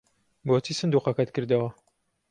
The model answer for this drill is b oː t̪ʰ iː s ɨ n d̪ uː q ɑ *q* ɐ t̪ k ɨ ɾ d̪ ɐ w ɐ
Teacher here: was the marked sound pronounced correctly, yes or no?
no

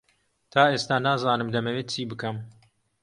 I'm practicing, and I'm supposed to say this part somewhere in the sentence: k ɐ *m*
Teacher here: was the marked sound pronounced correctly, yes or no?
yes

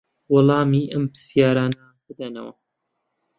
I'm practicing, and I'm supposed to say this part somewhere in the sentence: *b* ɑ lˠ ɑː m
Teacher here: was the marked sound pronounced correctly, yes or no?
no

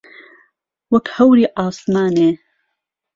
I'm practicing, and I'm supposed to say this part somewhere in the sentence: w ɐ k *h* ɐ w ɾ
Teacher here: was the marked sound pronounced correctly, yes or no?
yes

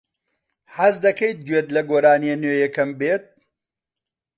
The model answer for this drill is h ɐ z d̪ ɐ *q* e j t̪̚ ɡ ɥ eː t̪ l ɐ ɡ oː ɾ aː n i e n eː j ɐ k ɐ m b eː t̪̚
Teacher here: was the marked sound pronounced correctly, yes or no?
no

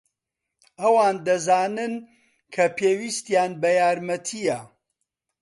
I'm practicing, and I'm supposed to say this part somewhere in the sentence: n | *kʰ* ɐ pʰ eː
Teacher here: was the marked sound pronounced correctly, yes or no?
yes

